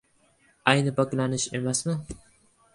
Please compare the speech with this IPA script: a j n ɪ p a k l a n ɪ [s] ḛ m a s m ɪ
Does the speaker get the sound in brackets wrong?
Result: yes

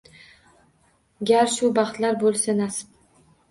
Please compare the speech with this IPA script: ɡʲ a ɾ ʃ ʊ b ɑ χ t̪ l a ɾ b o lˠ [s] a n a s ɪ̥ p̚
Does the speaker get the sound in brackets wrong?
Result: no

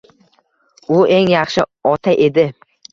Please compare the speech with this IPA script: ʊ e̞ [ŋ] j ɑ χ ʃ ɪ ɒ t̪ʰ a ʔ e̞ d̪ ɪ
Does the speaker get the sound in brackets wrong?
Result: no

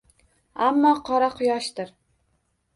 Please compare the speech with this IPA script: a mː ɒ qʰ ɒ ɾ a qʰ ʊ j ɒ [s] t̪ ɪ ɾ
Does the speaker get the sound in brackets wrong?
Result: yes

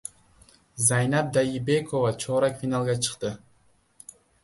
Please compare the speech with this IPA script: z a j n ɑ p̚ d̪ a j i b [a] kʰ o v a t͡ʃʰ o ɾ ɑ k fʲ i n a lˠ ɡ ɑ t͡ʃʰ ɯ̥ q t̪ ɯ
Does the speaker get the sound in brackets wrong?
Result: yes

